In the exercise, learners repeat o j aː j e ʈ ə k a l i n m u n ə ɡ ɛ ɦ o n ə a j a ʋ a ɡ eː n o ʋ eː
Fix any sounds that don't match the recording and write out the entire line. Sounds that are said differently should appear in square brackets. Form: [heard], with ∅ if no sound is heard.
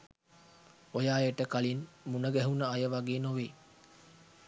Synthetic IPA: o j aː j e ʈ ə k a l i n m u n ə ɡ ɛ ɦ [u] n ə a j [ə] ʋ a ɡ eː n o ʋ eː